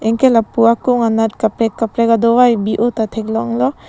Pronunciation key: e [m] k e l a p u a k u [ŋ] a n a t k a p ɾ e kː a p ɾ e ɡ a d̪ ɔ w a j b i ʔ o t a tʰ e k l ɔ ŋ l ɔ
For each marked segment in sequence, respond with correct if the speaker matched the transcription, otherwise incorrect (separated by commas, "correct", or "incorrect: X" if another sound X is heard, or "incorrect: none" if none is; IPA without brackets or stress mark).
incorrect: ŋ, correct